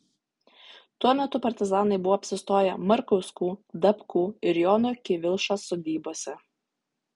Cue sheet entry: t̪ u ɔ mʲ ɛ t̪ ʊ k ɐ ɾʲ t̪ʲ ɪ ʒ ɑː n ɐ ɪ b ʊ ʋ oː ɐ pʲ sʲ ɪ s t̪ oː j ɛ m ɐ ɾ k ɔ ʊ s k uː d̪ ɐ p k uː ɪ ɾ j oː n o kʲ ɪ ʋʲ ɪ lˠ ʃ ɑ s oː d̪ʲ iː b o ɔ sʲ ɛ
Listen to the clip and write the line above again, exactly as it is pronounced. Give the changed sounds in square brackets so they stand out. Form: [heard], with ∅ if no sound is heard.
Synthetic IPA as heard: t̪ u ɔ mʲ ɛ t̪ ʊ [p] ɐ ɾʲ t̪ʲ ɪ [z] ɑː n ɐ ɪ b ʊ ʋ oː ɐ pʲ sʲ ɪ s t̪ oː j ɛ m ɐ ɾ k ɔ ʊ s k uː d̪ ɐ p k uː ɪ ɾ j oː n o kʲ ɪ ʋʲ ɪ lˠ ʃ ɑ s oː d̪ʲ iː b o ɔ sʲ ɛ